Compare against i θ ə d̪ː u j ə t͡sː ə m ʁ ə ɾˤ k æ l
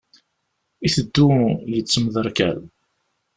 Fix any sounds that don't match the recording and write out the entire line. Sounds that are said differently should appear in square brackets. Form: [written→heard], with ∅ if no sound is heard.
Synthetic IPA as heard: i θ ə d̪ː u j ə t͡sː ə m [ʁ→ð] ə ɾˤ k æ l